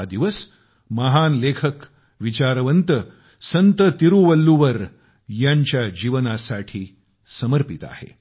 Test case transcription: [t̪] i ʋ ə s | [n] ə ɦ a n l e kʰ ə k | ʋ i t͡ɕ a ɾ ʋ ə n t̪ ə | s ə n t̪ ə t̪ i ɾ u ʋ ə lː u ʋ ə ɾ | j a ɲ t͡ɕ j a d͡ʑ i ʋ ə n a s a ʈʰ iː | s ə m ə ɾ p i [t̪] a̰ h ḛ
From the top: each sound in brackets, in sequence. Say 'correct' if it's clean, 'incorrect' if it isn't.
incorrect: d̪, incorrect: m, correct

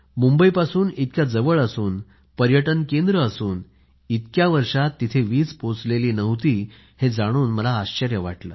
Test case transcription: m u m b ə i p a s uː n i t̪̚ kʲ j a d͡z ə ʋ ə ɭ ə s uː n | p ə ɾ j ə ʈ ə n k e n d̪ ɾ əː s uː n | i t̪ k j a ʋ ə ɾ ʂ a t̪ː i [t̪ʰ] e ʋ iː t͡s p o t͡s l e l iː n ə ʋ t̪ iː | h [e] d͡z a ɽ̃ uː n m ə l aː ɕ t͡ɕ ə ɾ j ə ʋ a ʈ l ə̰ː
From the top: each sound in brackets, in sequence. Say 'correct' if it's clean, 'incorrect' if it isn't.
correct, correct

